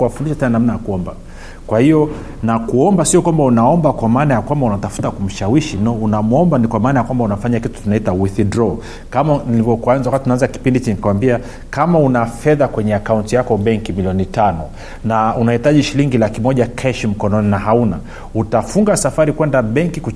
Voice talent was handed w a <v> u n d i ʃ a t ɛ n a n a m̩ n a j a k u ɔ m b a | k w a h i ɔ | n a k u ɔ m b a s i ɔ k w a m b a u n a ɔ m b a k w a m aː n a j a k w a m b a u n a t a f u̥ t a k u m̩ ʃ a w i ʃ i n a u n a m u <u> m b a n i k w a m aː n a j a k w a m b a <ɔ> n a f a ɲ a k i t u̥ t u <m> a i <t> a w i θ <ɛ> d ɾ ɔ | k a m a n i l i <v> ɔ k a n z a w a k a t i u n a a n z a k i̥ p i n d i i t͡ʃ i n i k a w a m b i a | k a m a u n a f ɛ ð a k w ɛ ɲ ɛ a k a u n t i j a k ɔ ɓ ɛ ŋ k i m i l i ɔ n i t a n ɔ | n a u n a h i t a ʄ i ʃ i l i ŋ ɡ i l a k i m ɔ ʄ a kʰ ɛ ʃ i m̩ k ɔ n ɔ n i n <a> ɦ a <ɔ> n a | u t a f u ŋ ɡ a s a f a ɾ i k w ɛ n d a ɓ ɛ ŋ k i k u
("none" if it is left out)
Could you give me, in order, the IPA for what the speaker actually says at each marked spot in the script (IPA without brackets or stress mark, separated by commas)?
f, ɔ, u, n, t, i, v, a, u